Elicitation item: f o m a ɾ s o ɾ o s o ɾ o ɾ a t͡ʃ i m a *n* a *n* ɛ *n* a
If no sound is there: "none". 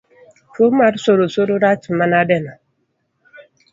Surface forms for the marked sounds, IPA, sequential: n, d, n

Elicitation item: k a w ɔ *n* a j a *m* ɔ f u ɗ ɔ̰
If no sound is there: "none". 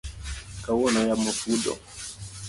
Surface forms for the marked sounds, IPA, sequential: n, m

